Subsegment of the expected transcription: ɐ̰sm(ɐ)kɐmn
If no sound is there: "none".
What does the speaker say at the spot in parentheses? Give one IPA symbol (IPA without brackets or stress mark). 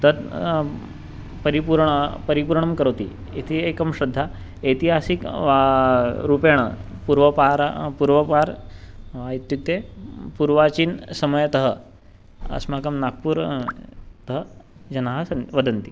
a